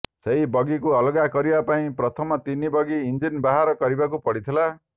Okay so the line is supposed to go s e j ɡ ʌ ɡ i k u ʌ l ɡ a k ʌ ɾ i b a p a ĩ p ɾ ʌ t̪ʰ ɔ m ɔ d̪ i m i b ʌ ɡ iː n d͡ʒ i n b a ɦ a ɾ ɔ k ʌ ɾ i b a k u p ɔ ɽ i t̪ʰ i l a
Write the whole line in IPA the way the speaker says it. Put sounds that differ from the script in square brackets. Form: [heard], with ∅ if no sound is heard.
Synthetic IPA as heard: s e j [b] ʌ ɡ i k u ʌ l ɡ a k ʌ ɾ i b a p a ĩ p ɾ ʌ t̪ʰ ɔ m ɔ [t̪] i [n] i b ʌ ɡ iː n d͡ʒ i n b a ɦ a ɾ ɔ k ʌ ɾ i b a k u p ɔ ɽ i t̪ʰ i l a